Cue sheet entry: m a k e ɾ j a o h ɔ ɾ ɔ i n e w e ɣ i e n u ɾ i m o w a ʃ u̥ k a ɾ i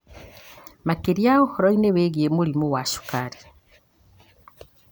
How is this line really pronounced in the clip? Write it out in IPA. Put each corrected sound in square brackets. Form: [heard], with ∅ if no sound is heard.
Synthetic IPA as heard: m a k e ɾ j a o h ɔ ɾ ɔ i n e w e ɣ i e [m] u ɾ i m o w a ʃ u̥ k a ɾ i